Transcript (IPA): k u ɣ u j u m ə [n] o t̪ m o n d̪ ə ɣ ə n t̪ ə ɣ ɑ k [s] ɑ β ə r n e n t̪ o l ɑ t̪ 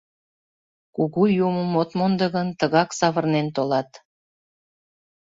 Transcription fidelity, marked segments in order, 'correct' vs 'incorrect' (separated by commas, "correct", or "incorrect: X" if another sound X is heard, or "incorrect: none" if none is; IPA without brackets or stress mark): incorrect: m, correct